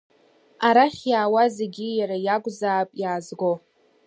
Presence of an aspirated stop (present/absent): absent